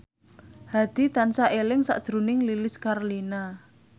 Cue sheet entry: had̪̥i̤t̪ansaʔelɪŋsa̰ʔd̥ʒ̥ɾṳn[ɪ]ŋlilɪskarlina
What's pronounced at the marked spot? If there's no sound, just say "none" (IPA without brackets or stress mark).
ɪ